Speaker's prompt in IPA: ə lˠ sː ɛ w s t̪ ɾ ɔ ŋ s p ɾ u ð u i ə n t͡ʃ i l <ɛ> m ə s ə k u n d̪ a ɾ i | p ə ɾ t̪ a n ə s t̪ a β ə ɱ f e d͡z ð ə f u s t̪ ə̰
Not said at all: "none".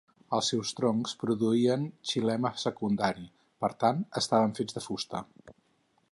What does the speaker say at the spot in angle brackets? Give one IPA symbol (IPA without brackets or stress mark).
ɛ